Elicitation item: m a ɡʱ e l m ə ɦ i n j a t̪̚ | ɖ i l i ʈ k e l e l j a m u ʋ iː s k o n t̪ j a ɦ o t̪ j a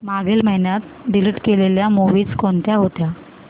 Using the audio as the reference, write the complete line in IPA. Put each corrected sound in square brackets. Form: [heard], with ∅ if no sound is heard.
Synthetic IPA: m a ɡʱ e l m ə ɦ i n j a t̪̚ | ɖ i l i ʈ k e l e l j a m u ʋ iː [t͡s] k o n t̪ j a ɦ o t̪ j a